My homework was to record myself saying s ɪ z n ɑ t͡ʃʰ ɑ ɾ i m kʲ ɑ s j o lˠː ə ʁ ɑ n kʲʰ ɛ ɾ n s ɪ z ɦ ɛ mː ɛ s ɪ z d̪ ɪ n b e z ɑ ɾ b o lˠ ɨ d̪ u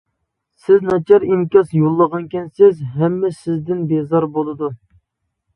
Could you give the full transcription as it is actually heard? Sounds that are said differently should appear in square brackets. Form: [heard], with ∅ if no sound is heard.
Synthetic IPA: s ɪ z n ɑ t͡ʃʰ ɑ ɾ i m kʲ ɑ s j o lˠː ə ʁ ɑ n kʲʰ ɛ [∅] n s ɪ z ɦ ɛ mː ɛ s ɪ z d̪ ɪ n b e z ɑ ɾ b o lˠ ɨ d̪ u